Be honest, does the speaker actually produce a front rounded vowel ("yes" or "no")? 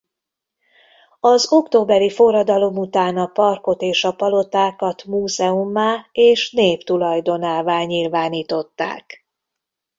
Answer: no